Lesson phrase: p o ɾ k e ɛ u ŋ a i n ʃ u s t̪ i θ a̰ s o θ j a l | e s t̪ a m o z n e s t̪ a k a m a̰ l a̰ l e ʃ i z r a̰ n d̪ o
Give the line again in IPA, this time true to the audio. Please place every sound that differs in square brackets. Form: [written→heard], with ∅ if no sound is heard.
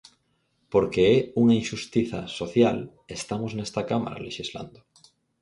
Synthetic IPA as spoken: p o ɾ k e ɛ u ŋ a i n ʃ u s t̪ i θ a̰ s o θ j a l | e s t̪ a m o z n e s t̪ a k a m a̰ [l→ɾ] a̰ l e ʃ i z [r→l] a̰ n d̪ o